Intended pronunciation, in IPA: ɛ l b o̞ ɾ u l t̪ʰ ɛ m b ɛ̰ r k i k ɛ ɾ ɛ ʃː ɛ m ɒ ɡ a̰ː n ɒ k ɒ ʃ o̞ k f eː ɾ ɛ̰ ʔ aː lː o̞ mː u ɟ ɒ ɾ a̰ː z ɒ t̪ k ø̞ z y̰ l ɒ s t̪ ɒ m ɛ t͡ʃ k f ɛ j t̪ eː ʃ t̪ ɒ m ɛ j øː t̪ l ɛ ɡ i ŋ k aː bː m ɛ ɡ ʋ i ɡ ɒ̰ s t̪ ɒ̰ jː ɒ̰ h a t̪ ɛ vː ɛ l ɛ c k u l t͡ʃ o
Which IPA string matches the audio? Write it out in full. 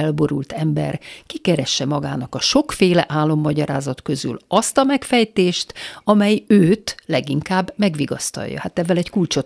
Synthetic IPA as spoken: ɛ l b o̞ ɾ u l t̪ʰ ɛ m b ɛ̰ r k i k ɛ ɾ ɛ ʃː ɛ m ɒ ɡ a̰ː n ɒ k ɒ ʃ o̞ k f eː l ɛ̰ ʔ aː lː o̞ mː ɒ ɟ ɒ ɾ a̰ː z ɒ t̪ k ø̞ z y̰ l ɒ s t̪ ɒ m ɛ k f ɛ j t̪ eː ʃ t̪ ɒ m ɛ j øː t̪ l ɛ ɡ i ŋ k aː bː m ɛ ɡ ʋ i ɡ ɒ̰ s t̪ ɒ̰ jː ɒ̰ h a t̪ ɛ vː ɛ l ɛ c k u l t͡ʃ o